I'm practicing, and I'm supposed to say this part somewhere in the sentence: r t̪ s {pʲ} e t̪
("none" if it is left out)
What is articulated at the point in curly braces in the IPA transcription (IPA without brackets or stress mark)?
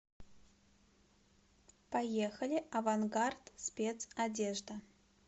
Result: pʲ